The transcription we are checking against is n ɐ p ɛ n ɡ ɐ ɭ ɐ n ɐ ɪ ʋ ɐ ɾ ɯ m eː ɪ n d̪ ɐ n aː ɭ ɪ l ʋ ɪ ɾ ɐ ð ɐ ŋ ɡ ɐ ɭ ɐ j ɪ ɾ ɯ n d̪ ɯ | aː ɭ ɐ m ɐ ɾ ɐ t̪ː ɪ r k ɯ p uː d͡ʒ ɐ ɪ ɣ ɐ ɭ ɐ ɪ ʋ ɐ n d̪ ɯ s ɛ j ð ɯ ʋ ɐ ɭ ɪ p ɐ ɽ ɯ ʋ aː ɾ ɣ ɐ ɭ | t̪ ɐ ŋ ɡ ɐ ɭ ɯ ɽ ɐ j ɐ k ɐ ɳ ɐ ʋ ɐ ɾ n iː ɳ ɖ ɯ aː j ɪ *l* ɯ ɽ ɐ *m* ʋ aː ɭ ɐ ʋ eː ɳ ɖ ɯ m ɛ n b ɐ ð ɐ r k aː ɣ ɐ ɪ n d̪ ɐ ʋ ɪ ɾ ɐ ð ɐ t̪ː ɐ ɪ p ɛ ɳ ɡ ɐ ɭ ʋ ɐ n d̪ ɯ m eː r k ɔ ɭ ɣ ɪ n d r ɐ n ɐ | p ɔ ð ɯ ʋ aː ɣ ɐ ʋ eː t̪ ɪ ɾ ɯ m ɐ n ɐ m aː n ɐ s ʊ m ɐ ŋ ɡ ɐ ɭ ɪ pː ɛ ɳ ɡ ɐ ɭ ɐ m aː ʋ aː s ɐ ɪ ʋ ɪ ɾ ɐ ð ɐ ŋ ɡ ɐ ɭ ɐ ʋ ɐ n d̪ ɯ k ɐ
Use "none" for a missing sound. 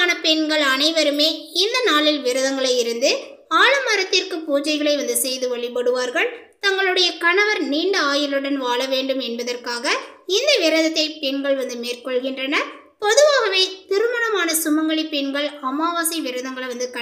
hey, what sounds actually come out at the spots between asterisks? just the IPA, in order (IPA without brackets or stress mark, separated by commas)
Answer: l, n